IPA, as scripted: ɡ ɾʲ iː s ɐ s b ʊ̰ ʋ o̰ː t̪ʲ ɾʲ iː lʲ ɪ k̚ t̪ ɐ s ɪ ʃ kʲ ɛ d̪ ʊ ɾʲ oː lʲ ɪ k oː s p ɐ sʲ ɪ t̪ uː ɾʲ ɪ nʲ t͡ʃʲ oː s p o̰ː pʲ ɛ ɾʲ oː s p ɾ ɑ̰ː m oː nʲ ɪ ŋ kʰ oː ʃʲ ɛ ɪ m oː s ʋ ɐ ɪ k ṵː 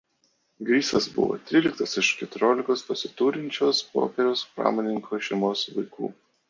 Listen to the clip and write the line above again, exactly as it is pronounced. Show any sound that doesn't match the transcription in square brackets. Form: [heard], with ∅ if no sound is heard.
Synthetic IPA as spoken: ɡ ɾʲ iː s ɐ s b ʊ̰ ʋ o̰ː t̪ʲ ɾʲ iː lʲ ɪ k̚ t̪ ɐ s ɪ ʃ kʲ ɛ [t̪] ʊ ɾʲ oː lʲ ɪ k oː s p ɐ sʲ ɪ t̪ uː ɾʲ ɪ nʲ t͡ʃʲ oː s p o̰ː pʲ ɛ ɾʲ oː s p ɾ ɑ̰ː m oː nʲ ɪ ŋ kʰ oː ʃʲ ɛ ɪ m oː s ʋ ɐ ɪ k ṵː

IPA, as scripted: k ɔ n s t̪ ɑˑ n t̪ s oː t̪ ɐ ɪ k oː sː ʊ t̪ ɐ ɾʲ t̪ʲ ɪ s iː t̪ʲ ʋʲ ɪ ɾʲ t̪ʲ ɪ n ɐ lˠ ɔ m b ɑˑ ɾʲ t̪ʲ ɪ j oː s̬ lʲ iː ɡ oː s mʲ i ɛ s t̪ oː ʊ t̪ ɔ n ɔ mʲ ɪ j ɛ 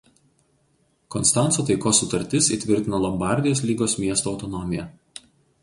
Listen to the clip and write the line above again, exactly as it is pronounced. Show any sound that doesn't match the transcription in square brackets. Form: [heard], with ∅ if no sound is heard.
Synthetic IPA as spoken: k ɔ n s t̪ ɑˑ n t̪ s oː t̪ ɐ ɪ k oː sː ʊ t̪ ɐ ɾʲ t̪ʲ ɪ s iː t̪ʲ ʋʲ ɪ ɾʲ t̪ʲ ɪ n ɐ lˠ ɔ m b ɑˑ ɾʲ [d̪ʲ] ɪ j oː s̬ lʲ iː ɡ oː s mʲ i ɛ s t̪ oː ʊ t̪ ɔ n ɔ mʲ ɪ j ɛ

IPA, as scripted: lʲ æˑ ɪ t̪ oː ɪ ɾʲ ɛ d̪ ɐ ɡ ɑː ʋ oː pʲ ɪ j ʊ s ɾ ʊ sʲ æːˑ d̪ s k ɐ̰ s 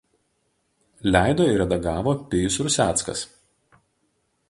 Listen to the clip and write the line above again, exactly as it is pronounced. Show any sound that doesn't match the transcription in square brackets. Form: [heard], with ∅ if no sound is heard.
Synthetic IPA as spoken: lʲ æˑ ɪ [d̪] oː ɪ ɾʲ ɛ d̪ ɐ ɡ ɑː ʋ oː pʲ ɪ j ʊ s ɾ ʊ sʲ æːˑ [t̪] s k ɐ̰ s

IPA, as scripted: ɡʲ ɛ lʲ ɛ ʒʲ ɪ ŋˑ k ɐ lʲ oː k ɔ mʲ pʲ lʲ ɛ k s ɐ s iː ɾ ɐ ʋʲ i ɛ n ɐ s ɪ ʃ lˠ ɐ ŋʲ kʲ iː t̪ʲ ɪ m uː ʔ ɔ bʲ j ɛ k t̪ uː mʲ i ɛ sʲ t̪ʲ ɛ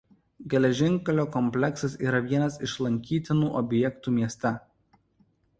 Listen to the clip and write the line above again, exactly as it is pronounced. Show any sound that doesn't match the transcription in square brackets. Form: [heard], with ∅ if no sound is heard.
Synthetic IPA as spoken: ɡʲ ɛ lʲ ɛ ʒʲ ɪ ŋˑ k ɐ lʲ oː k ɔ mʲ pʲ lʲ ɛ k s ɐ s iː ɾ ɐ ʋʲ i ɛ n ɐ s ɪ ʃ lˠ ɐ ŋʲ kʲ iː t̪ʲ ɪ [n] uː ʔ ɔ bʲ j ɛ k t̪ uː mʲ i ɛ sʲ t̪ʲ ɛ

